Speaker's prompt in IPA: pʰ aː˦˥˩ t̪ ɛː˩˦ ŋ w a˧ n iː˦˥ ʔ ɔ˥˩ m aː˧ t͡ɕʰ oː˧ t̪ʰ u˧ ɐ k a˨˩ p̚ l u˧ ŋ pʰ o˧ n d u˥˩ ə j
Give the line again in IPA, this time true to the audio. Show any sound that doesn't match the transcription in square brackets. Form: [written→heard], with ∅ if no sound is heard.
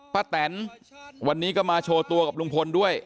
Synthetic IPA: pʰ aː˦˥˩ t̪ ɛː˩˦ [ŋ→n] w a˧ [n→nː] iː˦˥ [ʔ→k] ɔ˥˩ m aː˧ t͡ɕʰ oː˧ [t̪ʰ→t̪] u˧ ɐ k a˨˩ p̚ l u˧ ŋ pʰ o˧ n d u˥˩ ə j